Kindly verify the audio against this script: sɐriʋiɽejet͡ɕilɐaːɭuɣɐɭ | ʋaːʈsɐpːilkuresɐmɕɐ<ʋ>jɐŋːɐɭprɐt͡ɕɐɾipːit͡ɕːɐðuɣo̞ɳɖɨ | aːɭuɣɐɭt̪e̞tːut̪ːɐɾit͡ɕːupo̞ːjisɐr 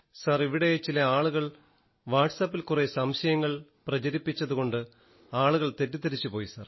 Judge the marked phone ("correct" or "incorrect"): incorrect